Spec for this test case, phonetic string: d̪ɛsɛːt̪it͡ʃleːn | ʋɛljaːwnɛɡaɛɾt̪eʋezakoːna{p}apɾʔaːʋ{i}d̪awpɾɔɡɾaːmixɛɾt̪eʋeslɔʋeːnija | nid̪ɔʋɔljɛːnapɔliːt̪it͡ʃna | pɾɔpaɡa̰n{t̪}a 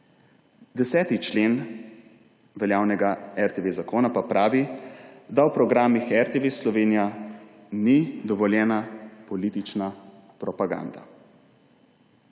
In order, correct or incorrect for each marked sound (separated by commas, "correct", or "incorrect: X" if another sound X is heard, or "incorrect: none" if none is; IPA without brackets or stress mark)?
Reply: correct, correct, incorrect: d̪